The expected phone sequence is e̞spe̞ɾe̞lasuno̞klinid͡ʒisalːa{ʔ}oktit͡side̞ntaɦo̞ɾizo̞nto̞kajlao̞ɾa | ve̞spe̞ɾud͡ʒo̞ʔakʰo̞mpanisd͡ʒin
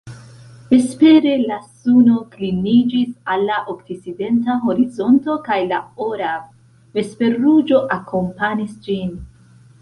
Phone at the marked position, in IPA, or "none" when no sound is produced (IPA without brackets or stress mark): ʔ